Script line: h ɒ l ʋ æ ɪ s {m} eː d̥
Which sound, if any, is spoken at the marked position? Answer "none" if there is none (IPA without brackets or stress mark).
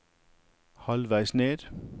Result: n